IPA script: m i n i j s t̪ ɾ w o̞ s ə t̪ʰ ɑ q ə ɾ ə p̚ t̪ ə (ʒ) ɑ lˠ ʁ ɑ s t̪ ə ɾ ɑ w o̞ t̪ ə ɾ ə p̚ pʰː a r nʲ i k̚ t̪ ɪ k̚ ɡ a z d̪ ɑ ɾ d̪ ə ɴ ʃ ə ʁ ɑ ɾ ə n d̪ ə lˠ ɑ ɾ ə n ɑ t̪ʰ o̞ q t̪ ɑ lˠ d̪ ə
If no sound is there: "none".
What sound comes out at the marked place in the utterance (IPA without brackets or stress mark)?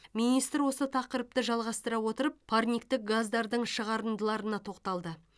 ʒ